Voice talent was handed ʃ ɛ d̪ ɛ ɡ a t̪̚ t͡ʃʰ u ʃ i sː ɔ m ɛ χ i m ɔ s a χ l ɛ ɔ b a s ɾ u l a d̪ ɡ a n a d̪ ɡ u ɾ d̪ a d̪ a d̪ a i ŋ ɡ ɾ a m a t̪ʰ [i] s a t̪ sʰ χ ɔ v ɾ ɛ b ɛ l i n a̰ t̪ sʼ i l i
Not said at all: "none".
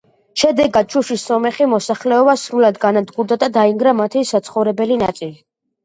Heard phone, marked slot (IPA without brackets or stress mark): i